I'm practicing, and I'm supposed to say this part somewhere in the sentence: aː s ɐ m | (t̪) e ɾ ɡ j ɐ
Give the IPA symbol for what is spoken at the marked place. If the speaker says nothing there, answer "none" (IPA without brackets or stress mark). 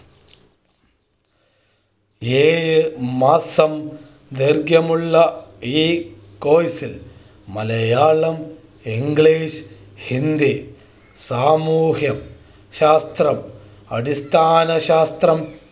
d̪